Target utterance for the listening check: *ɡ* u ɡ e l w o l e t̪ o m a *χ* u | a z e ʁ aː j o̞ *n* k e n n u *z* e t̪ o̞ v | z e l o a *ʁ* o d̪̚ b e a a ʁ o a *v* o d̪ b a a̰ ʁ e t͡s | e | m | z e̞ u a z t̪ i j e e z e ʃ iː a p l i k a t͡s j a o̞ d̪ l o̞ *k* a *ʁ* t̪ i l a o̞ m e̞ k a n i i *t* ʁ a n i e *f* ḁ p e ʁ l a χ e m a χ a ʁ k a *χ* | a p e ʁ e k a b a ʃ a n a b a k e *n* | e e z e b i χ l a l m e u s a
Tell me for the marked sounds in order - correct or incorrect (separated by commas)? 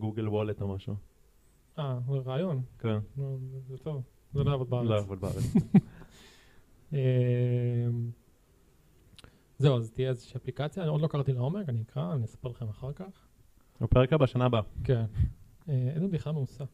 correct, incorrect, correct, correct, incorrect, correct, correct, correct, incorrect, incorrect, correct, correct